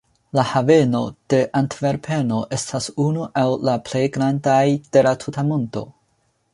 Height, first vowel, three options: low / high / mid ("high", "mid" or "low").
low